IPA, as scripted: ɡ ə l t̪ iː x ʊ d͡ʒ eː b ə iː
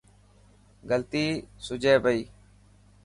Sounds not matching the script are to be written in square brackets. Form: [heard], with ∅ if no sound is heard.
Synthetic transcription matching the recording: ɡ ə l t̪ iː [s] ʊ d͡ʒ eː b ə iː